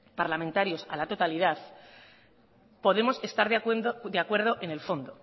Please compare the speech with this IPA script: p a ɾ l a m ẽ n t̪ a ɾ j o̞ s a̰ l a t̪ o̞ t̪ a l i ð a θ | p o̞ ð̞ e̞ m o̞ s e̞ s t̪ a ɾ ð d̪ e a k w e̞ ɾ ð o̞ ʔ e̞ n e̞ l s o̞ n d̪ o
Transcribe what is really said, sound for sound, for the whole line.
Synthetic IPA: p a ɾ l a m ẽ n t̪ a ɾ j o̞ s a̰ l a t̪ o̞ t̪ a l i ð a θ | p o̞ ð̞ e̞ m o̞ s e̞ s t̪ a ɾ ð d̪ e a k w e̞ ɾ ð o̞ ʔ e̞ n e̞ l f o̞ n d̪ o